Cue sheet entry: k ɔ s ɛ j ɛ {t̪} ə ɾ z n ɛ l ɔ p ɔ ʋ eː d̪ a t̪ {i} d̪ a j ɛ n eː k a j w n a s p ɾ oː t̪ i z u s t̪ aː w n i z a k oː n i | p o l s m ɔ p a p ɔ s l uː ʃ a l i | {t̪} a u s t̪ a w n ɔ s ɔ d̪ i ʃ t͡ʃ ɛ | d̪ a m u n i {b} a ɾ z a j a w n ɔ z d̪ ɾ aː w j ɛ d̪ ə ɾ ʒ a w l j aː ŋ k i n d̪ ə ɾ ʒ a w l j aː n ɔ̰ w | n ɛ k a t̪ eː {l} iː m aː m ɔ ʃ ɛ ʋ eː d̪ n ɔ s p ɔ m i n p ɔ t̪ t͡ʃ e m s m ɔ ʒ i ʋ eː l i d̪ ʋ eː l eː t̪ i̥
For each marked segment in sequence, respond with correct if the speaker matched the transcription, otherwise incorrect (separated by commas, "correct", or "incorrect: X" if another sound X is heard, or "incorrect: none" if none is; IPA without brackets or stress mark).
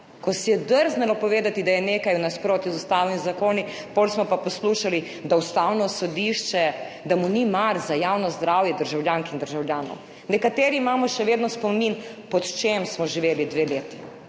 incorrect: d̪, correct, incorrect: d̪, incorrect: m, incorrect: ɾ